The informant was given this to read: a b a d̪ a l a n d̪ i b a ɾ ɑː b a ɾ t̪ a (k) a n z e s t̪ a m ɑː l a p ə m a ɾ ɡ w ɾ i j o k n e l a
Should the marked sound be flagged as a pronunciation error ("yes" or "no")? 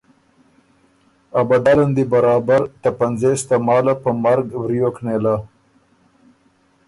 yes